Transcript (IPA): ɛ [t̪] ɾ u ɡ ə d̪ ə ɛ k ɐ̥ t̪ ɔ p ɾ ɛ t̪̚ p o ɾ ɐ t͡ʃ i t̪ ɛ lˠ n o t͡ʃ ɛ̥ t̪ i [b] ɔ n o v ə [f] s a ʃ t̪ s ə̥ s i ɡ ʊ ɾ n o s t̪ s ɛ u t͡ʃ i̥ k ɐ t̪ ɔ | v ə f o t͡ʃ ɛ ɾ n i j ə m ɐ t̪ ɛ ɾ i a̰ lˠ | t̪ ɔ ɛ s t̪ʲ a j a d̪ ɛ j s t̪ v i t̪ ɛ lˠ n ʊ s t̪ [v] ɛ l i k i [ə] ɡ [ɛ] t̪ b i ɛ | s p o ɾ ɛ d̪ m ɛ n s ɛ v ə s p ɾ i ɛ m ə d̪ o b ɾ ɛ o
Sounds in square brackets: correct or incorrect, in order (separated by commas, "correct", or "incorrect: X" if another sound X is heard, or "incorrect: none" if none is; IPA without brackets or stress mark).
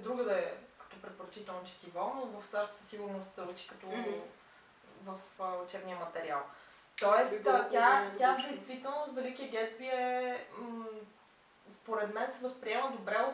incorrect: d̪, incorrect: v, correct, correct, correct, correct